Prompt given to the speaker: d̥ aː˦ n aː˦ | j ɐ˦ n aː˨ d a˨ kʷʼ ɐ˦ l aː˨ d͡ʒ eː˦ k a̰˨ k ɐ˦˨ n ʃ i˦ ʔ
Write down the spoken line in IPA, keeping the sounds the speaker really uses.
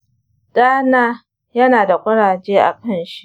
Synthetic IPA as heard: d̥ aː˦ n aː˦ | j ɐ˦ n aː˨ d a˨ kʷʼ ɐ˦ ɽ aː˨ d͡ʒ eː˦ ʔ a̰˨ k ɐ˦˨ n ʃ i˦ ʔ